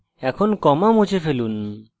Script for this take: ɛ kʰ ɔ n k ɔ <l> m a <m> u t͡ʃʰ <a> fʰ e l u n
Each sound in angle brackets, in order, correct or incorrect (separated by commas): incorrect, correct, incorrect